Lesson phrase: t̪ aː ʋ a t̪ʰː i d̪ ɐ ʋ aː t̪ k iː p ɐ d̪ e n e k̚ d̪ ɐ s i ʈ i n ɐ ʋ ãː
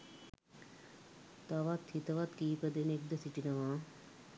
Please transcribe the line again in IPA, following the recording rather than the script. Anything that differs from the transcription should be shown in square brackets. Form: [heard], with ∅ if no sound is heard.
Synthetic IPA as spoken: t̪ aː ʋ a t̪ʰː i [t̪] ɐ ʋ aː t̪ k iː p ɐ d̪ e n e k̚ d̪ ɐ s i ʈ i n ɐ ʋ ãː